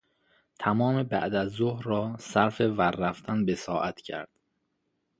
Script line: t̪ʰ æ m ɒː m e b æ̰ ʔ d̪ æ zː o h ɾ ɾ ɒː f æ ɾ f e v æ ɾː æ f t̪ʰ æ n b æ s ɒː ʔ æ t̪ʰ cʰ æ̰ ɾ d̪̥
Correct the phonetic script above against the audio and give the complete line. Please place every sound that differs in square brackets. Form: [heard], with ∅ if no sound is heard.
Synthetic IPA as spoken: t̪ʰ æ m ɒː m e b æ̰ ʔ d̪ æ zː o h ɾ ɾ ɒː [s] æ ɾ f e v æ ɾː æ f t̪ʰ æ n b [e] s ɒː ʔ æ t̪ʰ cʰ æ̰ ɾ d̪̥